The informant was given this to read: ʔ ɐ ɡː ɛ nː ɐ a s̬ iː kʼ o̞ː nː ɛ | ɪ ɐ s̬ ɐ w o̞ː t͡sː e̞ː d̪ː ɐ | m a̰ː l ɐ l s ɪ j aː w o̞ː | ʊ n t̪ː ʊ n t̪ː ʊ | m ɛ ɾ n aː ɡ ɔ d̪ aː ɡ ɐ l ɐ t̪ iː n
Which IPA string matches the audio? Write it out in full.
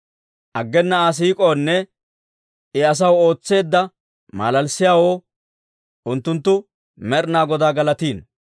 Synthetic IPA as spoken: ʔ ɐ ɡː ɛ nː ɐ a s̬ iː kʼ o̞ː nː ɛ | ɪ ɐ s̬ ɐ w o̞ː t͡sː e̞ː d̪ː ɐ | m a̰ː l ɐ l s ɪ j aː w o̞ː | ʊ n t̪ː ʊ n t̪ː ʊ | m ɛ ɾ n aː ɡ ɔ d̪ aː ɡ ɐ l ɐ t̪ iː n